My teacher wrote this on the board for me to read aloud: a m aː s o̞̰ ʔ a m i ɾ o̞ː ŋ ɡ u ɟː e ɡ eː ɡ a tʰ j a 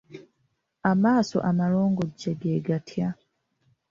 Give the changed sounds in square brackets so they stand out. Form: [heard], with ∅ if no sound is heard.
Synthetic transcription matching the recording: a m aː s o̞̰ ʔ a m [a] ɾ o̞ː ŋ ɡ [o] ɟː e ɡ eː ɡ a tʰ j a